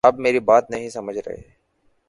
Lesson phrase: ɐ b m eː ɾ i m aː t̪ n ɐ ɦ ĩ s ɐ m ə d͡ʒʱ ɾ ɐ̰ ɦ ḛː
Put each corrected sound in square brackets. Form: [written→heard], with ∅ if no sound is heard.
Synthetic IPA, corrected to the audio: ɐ b m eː ɾ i [m→b] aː t̪ n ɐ ɦ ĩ s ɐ m ə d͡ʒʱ ɾ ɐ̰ ɦ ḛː

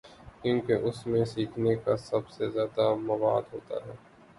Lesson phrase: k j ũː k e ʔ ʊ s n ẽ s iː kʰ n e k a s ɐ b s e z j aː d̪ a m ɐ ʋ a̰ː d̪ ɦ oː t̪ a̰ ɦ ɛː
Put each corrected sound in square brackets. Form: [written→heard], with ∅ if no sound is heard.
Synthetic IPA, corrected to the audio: k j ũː k e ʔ ʊ s [n→m] ẽ s iː kʰ n e k a s ɐ b s e z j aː d̪ a m ɐ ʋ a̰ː d̪ ɦ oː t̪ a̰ ɦ ɛː

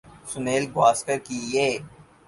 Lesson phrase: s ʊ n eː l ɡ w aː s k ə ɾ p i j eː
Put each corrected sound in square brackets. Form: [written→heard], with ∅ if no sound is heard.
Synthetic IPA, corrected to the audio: s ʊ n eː l ɡ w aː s k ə ɾ [p→k] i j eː

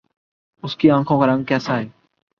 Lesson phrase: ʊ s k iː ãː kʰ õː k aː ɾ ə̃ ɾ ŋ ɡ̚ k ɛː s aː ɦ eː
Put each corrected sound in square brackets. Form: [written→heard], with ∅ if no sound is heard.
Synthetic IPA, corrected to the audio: ʊ s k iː ãː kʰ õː k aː ɾ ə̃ [ɾ→∅] ŋ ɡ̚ k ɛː s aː ɦ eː

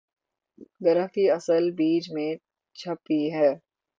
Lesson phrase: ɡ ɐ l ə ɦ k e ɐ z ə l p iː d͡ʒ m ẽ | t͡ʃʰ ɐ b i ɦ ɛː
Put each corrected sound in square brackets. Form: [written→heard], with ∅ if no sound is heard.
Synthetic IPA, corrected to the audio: ɡ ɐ [l→ɾ] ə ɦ k [e→i] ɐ [z→s] ə l [p→b] iː d͡ʒ m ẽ | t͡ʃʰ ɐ [b→p] i ɦ ɛː

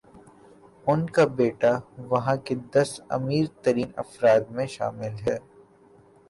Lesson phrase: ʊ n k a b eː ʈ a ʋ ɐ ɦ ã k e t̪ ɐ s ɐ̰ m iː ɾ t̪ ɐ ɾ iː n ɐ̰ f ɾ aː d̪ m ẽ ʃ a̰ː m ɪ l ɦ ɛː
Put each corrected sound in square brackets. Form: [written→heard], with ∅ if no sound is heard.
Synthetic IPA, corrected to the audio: ʊ n k a b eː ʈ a ʋ ɐ ɦ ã k e [t̪→d̪] ɐ s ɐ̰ m iː ɾ t̪ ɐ ɾ iː n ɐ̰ f ɾ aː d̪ m ẽ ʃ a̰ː m ɪ l ɦ ɛː

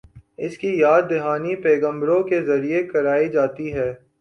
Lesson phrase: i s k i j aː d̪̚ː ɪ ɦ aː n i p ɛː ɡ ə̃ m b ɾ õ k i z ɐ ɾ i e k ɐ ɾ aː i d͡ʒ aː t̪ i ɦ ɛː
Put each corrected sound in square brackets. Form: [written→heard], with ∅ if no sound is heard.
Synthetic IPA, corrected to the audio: [i→ɪ] s k i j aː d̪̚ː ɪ ɦ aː n i p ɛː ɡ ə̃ m b ɾ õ k [i→e] z ɐ ɾ i e k ɐ ɾ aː i d͡ʒ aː t̪ i ɦ ɛː

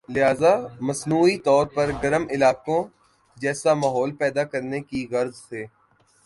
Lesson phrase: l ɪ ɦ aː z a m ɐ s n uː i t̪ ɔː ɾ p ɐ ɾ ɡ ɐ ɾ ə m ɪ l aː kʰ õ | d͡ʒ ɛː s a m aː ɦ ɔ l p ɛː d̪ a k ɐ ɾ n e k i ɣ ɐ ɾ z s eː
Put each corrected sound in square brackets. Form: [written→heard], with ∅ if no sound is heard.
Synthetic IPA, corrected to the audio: l ɪ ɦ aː z a m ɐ s n uː i t̪ ɔː ɾ p ɐ ɾ ɡ ɐ ɾ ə m ɪ l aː [kʰ→k] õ | d͡ʒ ɛː s a m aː ɦ [ɔ→ɔː] l p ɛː d̪ a k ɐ ɾ n e k i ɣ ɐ ɾ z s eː

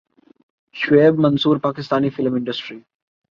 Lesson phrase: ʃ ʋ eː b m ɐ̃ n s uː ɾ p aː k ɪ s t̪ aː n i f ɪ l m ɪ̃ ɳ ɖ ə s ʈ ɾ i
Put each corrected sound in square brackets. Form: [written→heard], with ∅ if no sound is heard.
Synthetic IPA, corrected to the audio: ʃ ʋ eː b m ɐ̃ n s uː ɾ p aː k ɪ s t̪ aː n i f ɪ l m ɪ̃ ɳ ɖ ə s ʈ ɾ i

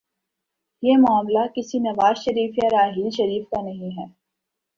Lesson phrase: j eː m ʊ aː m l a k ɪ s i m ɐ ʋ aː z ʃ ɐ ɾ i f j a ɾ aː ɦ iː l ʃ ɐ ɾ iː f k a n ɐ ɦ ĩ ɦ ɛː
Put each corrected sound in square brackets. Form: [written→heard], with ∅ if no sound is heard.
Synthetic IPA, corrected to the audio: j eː m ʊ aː m l a k ɪ s i [m→n] ɐ ʋ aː z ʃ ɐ ɾ [i→iː] f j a ɾ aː ɦ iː l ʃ ɐ ɾ iː f k a n ɐ ɦ ĩ ɦ ɛː

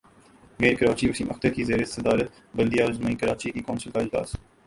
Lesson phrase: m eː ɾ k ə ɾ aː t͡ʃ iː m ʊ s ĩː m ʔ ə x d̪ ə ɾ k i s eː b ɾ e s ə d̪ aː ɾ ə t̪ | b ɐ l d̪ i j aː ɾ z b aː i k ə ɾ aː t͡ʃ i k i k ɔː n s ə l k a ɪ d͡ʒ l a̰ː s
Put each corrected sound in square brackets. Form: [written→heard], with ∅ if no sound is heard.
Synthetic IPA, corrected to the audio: m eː ɾ k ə ɾ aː t͡ʃ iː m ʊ s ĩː m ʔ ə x [d̪→t̪] ə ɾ k i [s→z] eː [b→∅] ɾ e s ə d̪ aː ɾ ə t̪ | b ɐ l d̪ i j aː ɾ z [b→m] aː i k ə ɾ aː t͡ʃ i k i k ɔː n s ə l k a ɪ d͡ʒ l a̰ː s

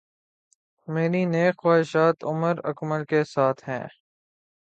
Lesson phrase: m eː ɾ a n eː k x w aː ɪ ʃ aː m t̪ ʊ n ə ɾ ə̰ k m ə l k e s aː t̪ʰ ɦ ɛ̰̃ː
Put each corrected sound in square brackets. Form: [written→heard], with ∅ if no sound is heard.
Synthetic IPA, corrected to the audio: m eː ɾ [a→i] n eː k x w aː ɪ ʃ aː [m→∅] t̪ ʊ [n→m] ə ɾ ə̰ k m ə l k e s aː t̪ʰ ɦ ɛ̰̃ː

